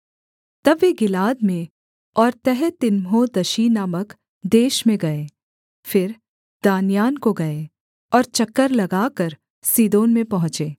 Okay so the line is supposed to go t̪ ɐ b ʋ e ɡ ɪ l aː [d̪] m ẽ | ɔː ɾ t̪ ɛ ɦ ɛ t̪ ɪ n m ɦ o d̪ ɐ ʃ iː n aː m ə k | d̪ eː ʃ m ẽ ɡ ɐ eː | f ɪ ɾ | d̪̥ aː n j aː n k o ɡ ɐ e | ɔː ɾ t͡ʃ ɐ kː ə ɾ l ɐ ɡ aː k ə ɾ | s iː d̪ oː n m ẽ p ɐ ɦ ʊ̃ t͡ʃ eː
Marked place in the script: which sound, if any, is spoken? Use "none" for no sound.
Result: d̪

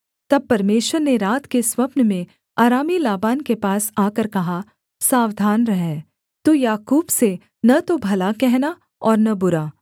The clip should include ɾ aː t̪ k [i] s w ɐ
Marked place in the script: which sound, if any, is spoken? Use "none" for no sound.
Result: e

